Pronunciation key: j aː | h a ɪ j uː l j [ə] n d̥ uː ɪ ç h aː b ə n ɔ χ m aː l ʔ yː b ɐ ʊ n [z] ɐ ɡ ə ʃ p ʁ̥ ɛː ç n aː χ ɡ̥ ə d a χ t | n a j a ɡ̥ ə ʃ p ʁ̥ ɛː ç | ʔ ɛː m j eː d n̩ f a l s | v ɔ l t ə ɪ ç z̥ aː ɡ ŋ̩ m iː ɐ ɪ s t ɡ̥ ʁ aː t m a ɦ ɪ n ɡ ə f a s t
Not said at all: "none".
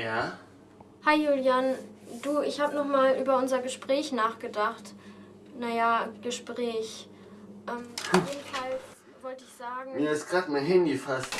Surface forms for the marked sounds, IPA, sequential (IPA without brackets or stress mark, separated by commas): a, z